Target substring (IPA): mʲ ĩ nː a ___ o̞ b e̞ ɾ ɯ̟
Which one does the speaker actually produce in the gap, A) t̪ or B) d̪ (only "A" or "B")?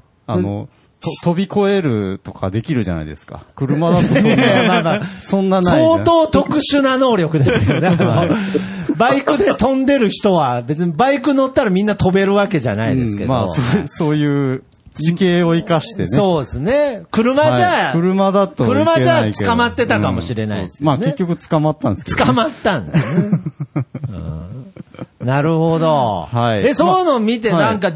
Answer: A